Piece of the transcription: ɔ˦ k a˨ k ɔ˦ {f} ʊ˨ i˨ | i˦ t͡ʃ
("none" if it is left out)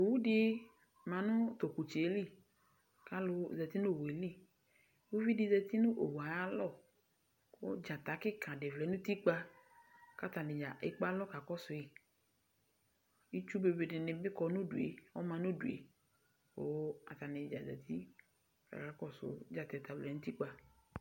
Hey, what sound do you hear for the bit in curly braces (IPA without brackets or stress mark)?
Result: s